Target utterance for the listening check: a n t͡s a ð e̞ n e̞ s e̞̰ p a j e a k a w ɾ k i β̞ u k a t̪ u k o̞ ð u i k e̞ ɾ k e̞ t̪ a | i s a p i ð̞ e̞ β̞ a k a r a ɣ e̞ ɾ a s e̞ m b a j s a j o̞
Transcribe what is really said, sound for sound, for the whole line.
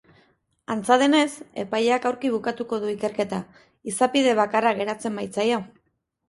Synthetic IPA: a n t͡s a ð e̞ n e̞ s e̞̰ p a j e a k a w ɾ k i β̞ u k a t̪ u k o̞ ð u i k e̞ ɾ k e̞ t̪ a | i s a p i ð̞ e̞ β̞ a k a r a ɣ e̞ ɾ a t͡s e̞ m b a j t͡s a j o̞